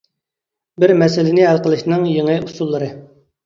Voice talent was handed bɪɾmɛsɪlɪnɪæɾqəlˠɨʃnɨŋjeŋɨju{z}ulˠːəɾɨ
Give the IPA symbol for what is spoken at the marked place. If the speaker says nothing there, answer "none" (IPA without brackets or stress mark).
s